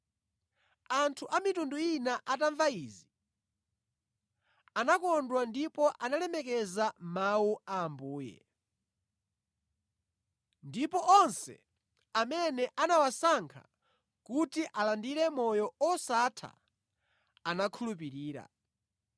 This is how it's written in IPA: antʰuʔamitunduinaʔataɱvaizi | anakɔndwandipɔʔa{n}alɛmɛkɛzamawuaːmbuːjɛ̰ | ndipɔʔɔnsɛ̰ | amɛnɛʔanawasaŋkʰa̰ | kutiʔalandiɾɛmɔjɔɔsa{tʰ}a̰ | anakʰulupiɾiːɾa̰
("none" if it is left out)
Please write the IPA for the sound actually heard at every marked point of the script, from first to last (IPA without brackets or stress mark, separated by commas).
n, tʰ